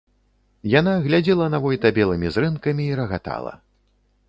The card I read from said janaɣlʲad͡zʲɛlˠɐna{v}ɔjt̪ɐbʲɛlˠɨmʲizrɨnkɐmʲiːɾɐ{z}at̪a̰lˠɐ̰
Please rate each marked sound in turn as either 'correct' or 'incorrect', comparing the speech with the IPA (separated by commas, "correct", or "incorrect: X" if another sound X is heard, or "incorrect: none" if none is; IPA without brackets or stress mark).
correct, incorrect: ɣ